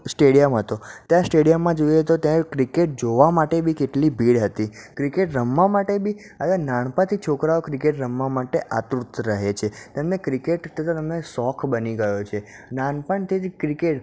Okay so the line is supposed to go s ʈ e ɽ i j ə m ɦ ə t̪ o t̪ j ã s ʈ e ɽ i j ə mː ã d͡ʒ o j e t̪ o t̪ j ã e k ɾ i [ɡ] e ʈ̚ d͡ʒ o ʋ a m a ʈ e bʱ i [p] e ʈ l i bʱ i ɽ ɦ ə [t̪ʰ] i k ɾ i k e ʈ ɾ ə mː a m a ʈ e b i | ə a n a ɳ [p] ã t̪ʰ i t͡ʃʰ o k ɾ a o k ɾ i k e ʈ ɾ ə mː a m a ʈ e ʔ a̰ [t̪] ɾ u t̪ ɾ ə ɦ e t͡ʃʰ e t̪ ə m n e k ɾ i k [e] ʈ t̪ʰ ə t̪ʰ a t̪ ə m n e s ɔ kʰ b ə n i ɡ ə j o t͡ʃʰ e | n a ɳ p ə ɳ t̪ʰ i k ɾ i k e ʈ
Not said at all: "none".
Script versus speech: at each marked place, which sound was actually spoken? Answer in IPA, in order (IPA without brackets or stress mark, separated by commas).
k, k, t̪, p, t̪, e